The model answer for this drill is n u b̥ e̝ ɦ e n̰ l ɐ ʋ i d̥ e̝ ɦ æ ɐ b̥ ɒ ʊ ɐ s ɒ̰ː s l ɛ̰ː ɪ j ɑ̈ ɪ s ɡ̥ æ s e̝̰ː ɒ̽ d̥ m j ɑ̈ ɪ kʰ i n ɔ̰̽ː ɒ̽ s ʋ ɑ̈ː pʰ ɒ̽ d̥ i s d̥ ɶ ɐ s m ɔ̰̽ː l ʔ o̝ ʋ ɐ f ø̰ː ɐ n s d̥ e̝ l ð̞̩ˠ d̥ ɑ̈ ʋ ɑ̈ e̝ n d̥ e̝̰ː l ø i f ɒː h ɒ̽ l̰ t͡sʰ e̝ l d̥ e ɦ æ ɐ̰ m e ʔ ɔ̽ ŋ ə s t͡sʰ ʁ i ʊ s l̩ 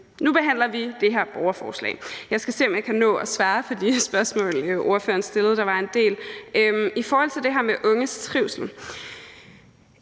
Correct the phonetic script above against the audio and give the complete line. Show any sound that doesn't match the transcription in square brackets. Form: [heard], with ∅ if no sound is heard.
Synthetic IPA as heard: n u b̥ e̝ ɦ [æ] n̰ l ɐ ʋ i d̥ e̝ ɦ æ ɐ b̥ ɒ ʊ ɐ [f] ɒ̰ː s l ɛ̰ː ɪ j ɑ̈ ɪ s ɡ̥ æ s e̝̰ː ɒ̽ [∅] m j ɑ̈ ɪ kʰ [æ] n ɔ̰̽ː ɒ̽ s ʋ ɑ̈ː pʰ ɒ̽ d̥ i s [b̥] ɶ ɐ s m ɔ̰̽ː l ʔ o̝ [∅] ɐ f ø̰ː ɐ n s d̥ e̝ l ð̞̩ˠ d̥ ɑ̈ ʋ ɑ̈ e̝ n d̥ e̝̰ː l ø i f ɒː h ɒ̽ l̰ t͡sʰ e̝ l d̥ e ɦ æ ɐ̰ m e ʔ ɔ̽ ŋ ə s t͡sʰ ʁ i ʊ s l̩